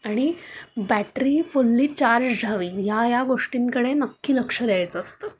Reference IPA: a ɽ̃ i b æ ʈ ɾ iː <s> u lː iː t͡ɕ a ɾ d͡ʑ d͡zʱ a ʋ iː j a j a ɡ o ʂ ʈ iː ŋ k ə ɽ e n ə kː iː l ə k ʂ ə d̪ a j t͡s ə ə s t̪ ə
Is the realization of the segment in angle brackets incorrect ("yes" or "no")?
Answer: yes